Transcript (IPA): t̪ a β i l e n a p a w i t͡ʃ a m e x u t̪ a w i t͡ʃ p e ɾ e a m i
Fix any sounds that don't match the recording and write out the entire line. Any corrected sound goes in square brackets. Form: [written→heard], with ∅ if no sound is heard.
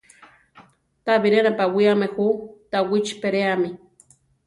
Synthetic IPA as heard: t̪ a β i [l→ɾ] e n a p a w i [t͡ʃ→∅] a m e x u t̪ a w i t͡ʃ p e ɾ e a m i